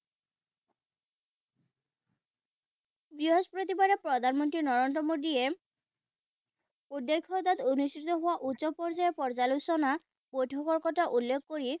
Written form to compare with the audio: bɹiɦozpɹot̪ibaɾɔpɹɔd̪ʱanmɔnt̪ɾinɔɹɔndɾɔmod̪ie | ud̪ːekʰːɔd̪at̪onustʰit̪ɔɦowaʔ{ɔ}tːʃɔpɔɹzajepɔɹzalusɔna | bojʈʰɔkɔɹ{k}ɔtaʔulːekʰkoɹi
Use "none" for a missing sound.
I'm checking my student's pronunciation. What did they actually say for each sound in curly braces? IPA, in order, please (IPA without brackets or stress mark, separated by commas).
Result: u, k